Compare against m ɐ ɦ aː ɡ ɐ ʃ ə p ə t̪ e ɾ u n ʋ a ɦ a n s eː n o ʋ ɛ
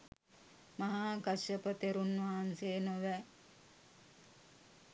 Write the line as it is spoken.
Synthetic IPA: m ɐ ɦ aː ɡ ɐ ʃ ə p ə t̪ e ɾ u n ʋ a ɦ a n s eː n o ʋ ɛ